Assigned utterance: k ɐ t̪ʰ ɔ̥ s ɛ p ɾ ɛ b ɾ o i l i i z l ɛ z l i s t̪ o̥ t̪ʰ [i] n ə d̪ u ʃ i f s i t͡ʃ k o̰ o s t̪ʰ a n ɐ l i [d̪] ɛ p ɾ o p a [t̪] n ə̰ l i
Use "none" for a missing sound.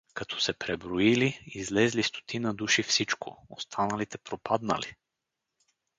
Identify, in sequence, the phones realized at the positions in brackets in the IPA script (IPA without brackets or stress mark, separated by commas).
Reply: i, t̪, d̪